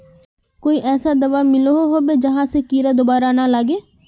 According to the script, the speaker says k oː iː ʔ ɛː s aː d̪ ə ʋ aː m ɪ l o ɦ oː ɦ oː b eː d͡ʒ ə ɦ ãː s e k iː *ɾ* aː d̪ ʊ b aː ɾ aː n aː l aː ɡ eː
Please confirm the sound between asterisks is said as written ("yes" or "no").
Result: yes